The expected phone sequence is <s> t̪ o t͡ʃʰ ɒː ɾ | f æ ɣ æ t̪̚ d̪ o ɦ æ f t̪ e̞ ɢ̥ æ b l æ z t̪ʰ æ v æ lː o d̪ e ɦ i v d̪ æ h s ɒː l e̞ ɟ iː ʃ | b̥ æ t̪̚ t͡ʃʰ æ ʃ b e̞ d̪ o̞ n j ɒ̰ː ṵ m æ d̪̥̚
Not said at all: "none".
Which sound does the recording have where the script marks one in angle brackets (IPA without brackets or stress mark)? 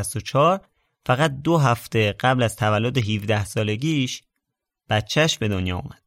s